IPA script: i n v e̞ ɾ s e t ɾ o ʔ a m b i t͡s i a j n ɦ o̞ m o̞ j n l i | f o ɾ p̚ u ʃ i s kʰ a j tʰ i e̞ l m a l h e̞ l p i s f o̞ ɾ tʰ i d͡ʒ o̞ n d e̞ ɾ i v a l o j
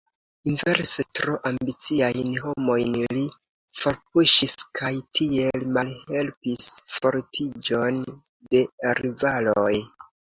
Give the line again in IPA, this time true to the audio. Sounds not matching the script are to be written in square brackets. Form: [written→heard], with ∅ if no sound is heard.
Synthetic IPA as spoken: i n v e̞ ɾ s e t ɾ o ʔ a m b i t͡s i a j n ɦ o̞ m o̞ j n l i | f o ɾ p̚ u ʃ i s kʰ a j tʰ i e̞ l m a l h e̞ l p i s f o̞ ɾ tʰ i d͡ʒ o̞ n d e̞ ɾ i v a l o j